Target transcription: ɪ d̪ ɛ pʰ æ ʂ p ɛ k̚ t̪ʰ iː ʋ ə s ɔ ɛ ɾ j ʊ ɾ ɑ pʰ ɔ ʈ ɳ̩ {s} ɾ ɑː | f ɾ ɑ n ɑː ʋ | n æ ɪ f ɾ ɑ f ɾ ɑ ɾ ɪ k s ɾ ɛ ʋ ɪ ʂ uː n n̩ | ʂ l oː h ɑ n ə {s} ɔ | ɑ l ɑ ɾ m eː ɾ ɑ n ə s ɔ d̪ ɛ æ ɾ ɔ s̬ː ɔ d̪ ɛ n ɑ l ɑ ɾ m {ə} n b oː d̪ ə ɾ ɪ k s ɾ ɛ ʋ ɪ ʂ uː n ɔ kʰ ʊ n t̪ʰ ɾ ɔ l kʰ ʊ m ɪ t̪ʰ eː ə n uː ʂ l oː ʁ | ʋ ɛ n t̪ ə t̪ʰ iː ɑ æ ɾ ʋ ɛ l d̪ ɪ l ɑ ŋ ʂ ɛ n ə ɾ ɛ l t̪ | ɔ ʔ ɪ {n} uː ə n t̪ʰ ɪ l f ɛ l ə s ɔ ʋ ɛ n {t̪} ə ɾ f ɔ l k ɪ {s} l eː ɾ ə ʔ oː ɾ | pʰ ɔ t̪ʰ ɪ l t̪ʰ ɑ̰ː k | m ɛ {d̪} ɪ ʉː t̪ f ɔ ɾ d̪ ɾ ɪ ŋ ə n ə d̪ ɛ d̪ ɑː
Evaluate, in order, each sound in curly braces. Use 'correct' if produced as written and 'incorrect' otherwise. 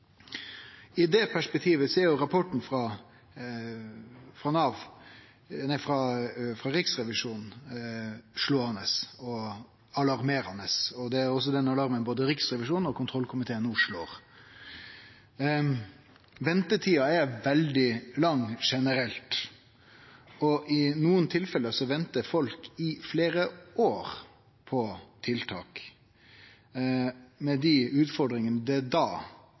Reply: incorrect, correct, correct, correct, correct, incorrect, correct

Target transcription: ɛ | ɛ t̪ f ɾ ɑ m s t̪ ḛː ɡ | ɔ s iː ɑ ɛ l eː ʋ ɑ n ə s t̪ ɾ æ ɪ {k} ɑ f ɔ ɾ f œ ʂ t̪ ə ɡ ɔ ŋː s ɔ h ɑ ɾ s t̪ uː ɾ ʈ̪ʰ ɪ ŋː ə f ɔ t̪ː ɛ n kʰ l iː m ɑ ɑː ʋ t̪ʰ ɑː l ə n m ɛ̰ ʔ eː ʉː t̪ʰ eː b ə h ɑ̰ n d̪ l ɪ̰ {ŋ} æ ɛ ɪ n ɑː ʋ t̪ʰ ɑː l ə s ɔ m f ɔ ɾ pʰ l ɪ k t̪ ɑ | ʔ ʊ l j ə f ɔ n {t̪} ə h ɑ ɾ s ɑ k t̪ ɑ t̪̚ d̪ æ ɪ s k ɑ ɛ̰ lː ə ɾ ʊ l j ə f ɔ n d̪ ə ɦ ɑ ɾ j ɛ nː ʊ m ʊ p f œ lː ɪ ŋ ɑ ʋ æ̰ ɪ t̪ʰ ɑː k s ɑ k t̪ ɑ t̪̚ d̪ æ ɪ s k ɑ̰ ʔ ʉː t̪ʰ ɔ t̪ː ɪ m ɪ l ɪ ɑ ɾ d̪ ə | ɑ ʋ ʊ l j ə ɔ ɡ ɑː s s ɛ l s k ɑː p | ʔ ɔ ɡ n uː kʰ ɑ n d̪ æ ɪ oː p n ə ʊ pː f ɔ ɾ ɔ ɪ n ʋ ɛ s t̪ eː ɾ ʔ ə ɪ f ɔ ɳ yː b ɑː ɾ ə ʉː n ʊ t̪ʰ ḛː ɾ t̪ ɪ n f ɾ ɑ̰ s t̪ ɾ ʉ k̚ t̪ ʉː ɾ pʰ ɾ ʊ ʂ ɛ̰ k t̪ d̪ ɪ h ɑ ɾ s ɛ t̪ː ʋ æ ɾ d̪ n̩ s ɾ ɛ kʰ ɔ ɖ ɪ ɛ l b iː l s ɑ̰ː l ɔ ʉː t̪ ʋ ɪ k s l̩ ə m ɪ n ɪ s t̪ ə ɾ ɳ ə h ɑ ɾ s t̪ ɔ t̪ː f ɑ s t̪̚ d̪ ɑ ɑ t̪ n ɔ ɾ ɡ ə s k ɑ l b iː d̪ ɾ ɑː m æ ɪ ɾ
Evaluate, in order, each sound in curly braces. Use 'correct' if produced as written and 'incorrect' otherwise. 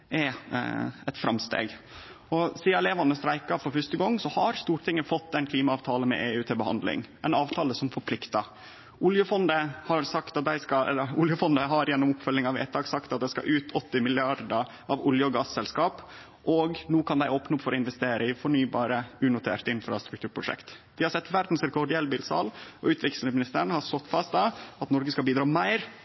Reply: correct, correct, incorrect

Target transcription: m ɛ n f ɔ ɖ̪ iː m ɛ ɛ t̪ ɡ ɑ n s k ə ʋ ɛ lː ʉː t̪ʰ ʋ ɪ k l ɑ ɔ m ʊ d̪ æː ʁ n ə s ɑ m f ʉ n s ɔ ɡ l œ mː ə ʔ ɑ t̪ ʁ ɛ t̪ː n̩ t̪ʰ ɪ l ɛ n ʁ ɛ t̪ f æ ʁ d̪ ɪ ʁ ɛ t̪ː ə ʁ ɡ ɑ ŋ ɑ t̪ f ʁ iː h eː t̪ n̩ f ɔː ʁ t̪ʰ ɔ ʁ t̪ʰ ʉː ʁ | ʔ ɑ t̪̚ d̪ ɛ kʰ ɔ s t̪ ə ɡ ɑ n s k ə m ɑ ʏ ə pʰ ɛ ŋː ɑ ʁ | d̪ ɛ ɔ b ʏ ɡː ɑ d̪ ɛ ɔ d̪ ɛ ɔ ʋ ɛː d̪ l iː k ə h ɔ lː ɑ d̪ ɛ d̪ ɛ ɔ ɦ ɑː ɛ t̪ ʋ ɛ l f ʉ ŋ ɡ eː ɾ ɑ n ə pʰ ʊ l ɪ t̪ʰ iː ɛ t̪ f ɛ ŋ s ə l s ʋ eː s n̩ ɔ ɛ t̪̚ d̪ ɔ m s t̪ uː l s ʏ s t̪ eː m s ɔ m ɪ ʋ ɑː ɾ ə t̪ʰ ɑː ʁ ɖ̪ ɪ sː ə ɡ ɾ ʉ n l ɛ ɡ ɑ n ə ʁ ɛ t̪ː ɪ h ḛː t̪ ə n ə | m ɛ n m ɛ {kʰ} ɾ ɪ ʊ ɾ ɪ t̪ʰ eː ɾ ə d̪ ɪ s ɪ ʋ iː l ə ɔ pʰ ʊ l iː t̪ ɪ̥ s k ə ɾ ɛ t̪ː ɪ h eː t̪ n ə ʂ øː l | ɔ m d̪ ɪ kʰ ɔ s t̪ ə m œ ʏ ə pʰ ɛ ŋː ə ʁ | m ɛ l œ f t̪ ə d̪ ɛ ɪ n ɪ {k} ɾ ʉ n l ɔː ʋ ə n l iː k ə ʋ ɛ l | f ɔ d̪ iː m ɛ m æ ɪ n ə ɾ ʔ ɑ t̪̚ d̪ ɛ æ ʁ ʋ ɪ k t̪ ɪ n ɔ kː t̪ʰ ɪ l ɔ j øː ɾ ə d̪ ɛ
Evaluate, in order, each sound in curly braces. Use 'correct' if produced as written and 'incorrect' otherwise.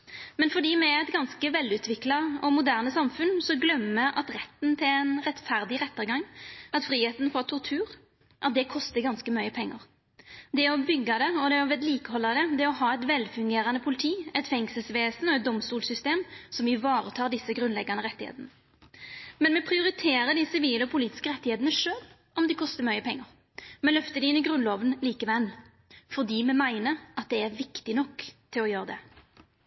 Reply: incorrect, incorrect

